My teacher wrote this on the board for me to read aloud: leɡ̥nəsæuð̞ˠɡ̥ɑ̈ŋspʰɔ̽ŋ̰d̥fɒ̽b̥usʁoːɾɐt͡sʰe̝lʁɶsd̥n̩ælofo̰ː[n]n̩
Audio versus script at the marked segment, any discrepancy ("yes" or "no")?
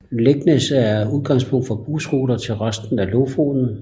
no